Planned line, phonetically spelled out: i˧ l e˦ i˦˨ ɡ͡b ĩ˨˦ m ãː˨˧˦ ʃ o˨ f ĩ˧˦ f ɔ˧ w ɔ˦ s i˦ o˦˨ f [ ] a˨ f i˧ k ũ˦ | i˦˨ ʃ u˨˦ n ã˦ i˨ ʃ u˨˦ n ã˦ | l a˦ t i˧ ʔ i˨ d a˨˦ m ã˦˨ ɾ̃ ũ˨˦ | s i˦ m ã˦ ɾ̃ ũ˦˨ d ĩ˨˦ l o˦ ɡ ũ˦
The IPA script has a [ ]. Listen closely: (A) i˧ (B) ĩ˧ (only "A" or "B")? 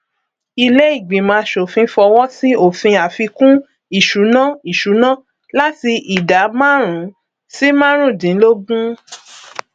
B